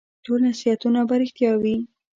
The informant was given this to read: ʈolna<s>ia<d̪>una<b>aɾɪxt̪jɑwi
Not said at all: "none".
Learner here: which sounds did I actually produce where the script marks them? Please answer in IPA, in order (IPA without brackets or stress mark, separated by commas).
s, t̪, b